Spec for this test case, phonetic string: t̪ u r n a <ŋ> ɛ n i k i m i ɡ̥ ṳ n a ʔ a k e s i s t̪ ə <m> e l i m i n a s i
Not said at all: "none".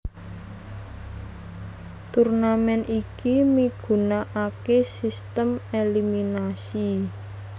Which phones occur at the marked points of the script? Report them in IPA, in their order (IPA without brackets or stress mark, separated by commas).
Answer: m, m